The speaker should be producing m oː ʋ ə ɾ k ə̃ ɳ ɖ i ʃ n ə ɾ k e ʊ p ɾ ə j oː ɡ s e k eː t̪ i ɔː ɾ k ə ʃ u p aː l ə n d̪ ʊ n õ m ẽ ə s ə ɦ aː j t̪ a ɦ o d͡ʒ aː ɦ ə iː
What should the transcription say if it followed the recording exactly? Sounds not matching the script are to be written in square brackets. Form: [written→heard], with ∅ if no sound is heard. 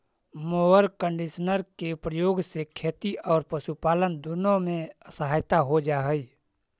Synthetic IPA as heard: m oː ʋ ə ɾ k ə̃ ɳ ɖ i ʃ n ə ɾ k e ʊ p ɾ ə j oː ɡ s e [k→kʰ] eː t̪ i ɔː ɾ [k→p] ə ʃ u p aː l ə n d̪ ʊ n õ m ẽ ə s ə ɦ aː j t̪ a ɦ o d͡ʒ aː ɦ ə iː